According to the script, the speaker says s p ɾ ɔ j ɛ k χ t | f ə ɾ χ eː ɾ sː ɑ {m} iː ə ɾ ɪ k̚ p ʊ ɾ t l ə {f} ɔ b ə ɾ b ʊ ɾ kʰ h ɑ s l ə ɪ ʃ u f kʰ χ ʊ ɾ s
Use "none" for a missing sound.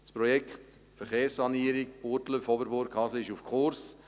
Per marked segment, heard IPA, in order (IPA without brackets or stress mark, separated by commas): n, f